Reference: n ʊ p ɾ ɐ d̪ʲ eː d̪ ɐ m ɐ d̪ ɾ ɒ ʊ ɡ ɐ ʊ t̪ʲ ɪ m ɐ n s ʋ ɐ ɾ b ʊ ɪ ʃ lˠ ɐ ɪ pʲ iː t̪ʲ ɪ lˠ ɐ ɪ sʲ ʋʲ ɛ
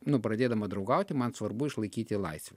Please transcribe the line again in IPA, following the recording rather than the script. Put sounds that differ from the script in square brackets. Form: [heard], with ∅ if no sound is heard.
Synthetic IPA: n ʊ p ɾ ɐ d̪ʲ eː d̪ ɐ m ɐ d̪ ɾ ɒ ʊ ɡ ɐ ʊ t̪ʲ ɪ m ɐ n s ʋ ɐ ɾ b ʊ ɪ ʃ lˠ ɐ ɪ [kʲ] iː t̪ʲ ɪ lˠ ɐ ɪ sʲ ʋʲ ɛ

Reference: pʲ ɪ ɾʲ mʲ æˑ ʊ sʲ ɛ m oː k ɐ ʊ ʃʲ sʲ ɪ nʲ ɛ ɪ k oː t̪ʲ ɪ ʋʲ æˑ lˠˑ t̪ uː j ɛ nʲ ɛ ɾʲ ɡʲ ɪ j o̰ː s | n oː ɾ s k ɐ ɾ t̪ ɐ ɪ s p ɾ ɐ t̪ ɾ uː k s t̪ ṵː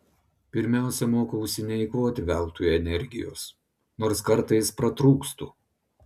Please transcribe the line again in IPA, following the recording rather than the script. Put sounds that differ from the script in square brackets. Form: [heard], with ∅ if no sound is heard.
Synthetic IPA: pʲ ɪ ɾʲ mʲ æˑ ʊ sʲ ɛ m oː k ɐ ʊ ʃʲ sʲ ɪ nʲ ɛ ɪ k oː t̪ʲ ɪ ʋʲ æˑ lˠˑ t̪ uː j ɛ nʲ ɛ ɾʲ ɡʲ ɪ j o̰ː s | n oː ɾ s k ɐ ɾ t̪ ɐ ɪ s p ɾ ɐ t̪ ɾ uː k s t̪ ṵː

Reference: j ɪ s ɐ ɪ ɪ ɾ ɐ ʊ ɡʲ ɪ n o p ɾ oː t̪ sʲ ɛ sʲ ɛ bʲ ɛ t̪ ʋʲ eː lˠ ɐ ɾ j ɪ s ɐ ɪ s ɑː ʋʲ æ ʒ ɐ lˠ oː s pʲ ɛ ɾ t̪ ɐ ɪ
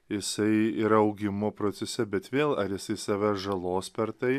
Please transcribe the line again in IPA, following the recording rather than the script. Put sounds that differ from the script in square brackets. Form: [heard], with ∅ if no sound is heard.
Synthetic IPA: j ɪ s ɐ ɪ ɪ ɾ ɐ ʊ ɡʲ ɪ [m] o p ɾ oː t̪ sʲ ɛ sʲ ɛ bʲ ɛ t̪ ʋʲ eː lˠ ɐ ɾ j ɪ s ɐ ɪ s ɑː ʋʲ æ ʒ ɐ lˠ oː s pʲ ɛ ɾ t̪ ɐ ɪ

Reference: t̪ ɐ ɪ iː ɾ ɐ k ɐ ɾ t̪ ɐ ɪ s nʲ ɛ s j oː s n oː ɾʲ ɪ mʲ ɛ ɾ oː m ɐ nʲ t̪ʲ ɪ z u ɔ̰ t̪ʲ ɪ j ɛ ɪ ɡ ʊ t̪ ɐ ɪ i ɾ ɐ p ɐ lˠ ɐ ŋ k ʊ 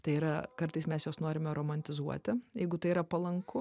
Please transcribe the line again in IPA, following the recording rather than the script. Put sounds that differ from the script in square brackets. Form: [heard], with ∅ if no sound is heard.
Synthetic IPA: t̪ ɐ ɪ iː ɾ ɐ k ɐ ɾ t̪ ɐ ɪ s [mʲ] ɛ s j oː s n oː ɾʲ ɪ mʲ ɛ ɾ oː m ɐ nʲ t̪ʲ ɪ z u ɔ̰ t̪ʲ ɪ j ɛ ɪ ɡ ʊ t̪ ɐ ɪ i ɾ ɐ p ɐ lˠ ɐ ŋ k ʊ

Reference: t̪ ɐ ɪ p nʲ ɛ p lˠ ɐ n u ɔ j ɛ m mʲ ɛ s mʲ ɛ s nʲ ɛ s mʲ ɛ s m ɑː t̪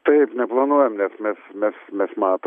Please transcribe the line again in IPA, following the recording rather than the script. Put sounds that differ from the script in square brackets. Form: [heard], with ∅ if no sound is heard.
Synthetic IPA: t̪ ɐ ɪ p nʲ ɛ p lˠ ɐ n u ɔ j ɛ m [nʲ] ɛ s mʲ ɛ s [mʲ] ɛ s mʲ ɛ s m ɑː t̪

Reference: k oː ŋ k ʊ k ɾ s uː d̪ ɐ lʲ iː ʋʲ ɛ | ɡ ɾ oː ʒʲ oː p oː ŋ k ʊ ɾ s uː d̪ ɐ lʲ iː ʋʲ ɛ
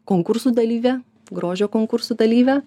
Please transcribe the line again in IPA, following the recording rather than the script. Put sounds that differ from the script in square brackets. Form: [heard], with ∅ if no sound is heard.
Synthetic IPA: k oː ŋ k ʊ [∅] ɾ s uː d̪ ɐ lʲ iː ʋʲ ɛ | ɡ ɾ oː ʒʲ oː [k] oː ŋ k ʊ ɾ s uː d̪ ɐ lʲ iː ʋʲ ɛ

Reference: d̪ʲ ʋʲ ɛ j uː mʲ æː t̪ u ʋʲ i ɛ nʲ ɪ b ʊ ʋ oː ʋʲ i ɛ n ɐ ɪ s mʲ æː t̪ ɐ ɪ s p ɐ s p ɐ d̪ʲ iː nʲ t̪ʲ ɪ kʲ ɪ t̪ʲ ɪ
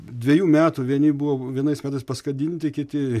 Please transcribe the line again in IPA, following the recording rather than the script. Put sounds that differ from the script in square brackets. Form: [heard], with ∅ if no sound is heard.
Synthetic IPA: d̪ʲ ʋʲ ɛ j uː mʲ æː t̪ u ʋʲ i ɛ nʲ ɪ b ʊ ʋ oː ʋʲ i ɛ n ɐ ɪ s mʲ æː t̪ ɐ ɪ s p ɐ s [k] ɐ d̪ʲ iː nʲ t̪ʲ ɪ kʲ ɪ t̪ʲ ɪ

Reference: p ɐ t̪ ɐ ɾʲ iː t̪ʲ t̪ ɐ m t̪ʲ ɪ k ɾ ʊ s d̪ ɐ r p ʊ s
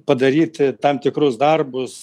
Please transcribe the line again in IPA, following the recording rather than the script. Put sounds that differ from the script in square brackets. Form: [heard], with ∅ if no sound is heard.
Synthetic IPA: p ɐ [d̪] ɐ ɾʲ iː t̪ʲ t̪ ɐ m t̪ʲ ɪ k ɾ ʊ s d̪ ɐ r [b] ʊ s

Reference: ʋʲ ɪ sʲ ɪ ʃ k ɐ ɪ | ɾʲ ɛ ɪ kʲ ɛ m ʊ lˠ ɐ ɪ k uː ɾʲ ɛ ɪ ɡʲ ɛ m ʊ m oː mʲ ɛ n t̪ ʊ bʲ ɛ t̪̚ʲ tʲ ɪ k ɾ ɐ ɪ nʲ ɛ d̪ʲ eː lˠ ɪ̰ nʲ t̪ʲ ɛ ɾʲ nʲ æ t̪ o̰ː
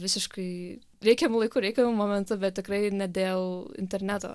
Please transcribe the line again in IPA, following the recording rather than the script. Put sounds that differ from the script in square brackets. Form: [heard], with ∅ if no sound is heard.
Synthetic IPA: ʋʲ ɪ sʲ ɪ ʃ k ɐ ɪ | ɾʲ ɛ ɪ kʲ ɛ m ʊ lˠ ɐ ɪ k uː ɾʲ ɛ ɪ [kʲ] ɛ m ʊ m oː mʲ ɛ n t̪ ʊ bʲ ɛ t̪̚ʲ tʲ ɪ k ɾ ɐ ɪ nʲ ɛ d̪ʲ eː lˠ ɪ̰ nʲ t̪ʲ ɛ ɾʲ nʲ æ t̪ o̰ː

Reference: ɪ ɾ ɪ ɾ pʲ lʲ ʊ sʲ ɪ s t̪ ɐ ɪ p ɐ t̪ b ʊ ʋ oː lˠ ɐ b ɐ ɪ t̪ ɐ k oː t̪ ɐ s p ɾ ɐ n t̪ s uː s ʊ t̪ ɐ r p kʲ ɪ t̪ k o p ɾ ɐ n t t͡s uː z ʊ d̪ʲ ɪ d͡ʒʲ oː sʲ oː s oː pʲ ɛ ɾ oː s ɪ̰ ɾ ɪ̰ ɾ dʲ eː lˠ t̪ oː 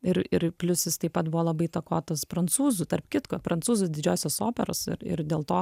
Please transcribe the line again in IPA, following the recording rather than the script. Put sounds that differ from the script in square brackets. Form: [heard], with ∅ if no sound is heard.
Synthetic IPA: ɪ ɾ ɪ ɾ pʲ lʲ ʊ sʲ ɪ s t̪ ɐ ɪ p ɐ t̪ b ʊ ʋ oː lˠ ɐ b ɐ ɪ t̪ ɐ k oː t̪ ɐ s p ɾ ɐ n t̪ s uː [z] ʊ t̪ ɐ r p kʲ ɪ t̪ k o p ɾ ɐ n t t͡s uː z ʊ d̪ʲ ɪ d͡ʒʲ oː sʲ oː s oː pʲ ɛ ɾ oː s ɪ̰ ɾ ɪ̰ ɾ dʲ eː lˠ t̪ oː

